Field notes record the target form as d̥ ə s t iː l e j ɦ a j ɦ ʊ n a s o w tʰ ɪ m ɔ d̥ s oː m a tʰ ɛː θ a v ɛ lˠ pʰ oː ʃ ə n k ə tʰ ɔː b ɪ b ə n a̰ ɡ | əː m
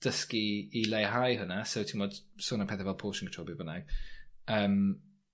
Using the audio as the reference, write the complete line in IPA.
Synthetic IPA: d̥ ə s k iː l e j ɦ a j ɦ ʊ n a s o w tʰ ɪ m ɔ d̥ s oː n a pʰ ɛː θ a v ɛ lˠ pʰ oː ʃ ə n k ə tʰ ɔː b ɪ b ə n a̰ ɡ | əː m